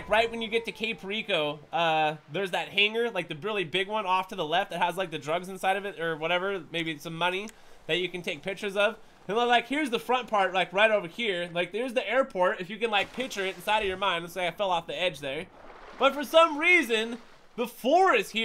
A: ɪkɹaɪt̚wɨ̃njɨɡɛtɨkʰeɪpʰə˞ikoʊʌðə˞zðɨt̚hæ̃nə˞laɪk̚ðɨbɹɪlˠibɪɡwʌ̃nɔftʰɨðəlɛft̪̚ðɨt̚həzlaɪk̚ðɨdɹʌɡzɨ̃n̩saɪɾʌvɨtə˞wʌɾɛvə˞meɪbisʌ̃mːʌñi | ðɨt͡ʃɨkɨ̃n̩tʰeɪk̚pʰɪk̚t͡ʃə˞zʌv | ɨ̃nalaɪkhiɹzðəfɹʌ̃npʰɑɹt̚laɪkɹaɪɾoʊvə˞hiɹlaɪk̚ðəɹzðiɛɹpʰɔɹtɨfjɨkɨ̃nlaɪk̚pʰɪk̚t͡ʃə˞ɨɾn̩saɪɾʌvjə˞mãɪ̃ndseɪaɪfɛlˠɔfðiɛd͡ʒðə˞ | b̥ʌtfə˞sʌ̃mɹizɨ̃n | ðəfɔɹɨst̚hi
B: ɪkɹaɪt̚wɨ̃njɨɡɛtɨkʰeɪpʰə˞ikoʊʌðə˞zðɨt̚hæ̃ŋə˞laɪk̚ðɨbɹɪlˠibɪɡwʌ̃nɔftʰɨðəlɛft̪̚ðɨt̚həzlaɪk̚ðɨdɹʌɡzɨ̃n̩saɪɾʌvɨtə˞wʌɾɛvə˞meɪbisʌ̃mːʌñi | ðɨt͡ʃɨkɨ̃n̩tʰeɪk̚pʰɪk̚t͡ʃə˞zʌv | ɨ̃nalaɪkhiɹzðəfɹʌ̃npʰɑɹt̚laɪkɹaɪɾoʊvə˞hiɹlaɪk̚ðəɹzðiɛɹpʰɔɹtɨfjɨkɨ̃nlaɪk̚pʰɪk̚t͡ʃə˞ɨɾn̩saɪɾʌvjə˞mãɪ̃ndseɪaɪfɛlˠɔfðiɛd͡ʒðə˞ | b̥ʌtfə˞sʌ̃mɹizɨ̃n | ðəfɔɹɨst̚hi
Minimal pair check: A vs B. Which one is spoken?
B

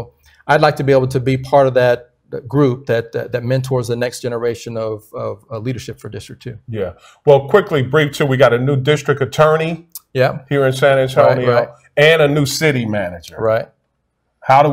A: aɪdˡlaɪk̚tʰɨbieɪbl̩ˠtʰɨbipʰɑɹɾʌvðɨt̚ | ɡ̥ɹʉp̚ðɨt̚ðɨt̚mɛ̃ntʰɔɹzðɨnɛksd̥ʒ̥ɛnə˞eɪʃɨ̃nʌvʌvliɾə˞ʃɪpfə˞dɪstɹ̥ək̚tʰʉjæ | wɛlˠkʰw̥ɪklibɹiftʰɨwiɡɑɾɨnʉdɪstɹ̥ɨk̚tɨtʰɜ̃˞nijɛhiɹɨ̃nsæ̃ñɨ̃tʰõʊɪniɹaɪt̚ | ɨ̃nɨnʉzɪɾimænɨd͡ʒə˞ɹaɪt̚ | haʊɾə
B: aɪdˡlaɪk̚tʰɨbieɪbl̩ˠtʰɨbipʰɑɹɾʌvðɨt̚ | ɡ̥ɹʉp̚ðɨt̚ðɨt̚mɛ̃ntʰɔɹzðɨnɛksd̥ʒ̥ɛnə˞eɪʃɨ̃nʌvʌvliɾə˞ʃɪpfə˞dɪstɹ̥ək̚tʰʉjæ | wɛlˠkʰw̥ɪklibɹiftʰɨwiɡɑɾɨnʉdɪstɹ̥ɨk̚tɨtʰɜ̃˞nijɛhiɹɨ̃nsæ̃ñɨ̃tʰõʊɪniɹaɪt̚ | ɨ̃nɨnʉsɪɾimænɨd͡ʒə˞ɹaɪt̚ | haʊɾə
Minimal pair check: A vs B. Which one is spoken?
B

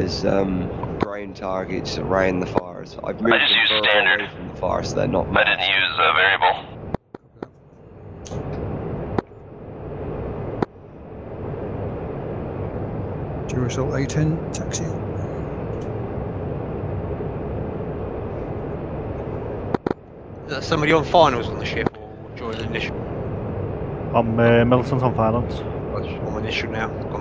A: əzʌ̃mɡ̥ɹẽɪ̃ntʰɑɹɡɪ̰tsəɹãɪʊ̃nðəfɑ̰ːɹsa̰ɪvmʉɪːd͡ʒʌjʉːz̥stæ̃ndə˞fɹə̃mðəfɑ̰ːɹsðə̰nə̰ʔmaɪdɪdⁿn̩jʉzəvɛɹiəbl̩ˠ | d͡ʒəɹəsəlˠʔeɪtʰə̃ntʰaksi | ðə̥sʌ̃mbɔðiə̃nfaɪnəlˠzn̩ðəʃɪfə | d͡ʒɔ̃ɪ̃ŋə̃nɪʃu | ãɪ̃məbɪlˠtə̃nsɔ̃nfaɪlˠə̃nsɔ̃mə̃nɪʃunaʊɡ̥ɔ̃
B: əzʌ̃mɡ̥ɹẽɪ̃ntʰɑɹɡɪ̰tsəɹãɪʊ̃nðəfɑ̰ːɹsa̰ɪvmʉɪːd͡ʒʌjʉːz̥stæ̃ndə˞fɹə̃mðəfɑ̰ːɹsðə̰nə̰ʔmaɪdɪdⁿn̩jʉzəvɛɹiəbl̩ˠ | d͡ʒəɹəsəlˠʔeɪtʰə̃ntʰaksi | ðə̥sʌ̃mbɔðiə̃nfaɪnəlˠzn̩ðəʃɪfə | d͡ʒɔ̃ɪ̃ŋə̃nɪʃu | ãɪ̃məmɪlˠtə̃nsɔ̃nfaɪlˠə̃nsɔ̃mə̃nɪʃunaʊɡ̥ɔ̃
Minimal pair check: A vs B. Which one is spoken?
B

